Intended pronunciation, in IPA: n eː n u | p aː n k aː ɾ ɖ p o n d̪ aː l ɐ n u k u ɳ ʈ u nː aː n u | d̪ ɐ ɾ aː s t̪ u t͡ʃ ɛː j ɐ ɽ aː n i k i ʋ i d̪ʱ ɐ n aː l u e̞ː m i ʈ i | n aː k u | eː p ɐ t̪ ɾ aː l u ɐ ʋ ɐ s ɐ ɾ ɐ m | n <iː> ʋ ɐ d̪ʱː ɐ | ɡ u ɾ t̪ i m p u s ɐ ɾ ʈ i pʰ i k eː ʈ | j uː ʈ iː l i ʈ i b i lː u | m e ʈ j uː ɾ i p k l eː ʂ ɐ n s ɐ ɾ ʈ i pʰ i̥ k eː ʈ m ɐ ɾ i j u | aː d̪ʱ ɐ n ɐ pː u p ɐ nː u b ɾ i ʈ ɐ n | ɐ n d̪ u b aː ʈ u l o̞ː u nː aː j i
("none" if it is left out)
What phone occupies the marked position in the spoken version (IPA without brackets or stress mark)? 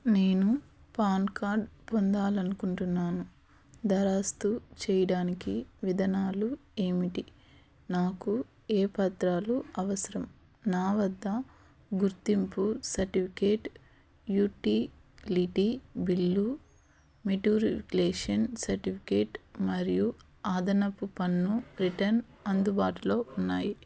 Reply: aː